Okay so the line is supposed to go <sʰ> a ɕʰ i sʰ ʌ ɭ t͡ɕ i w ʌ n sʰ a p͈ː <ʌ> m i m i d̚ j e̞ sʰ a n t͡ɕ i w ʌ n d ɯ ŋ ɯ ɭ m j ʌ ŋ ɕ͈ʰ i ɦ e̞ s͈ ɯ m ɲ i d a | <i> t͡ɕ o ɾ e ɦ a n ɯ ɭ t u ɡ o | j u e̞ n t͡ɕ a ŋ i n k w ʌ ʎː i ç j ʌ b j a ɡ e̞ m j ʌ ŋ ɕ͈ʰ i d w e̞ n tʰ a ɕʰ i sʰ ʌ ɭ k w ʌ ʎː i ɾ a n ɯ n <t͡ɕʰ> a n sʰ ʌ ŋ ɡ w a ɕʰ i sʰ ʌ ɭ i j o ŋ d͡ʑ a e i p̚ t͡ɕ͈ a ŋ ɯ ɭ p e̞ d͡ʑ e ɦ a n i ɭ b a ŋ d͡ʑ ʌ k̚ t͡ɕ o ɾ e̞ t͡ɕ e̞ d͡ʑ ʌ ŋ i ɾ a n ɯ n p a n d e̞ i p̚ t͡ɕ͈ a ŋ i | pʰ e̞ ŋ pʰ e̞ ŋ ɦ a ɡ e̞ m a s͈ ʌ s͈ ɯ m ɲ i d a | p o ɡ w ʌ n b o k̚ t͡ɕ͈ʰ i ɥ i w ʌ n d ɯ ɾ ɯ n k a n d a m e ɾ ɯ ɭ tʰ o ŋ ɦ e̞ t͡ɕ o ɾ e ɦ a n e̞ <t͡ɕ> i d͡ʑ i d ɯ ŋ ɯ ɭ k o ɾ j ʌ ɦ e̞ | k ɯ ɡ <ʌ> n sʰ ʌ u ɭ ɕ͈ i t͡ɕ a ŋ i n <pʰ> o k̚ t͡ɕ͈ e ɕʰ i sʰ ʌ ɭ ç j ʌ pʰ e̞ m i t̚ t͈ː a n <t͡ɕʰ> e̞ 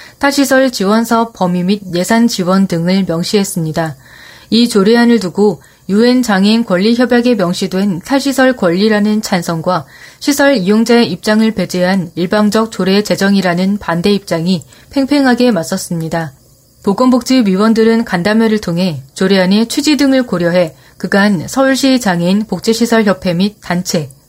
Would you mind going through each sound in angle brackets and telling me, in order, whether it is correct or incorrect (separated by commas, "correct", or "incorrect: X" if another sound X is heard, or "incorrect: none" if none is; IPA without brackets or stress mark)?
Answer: incorrect: tʰ, correct, correct, correct, incorrect: t͡ɕʰ, incorrect: a, incorrect: p, correct